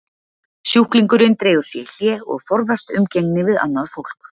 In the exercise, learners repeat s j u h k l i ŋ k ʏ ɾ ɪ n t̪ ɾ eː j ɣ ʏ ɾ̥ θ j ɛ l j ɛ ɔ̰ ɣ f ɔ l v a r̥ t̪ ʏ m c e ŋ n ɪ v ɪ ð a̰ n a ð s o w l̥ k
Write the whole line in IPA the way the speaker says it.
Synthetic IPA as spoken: s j u h k l i ŋ k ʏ ɾ ɪ n t̪ ɾ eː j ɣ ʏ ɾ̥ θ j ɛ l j ɛ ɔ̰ ɣ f ɔ ɾ v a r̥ t̪ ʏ m c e ŋ n ɪ v ɪ ð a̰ nː a ð f o w l̥ k